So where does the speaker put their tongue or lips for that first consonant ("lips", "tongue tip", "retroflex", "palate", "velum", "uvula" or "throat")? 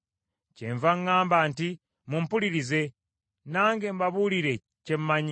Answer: palate